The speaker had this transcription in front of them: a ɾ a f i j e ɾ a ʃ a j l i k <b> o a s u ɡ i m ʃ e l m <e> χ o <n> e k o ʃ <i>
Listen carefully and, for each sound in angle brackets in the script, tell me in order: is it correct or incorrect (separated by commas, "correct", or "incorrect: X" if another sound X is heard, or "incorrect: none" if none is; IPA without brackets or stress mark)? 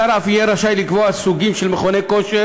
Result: incorrect: v, correct, correct, incorrect: e